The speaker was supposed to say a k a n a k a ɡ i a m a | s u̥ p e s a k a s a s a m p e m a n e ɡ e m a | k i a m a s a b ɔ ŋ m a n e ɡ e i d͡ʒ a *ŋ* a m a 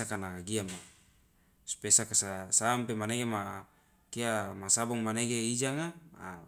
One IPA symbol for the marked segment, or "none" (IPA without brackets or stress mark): ŋ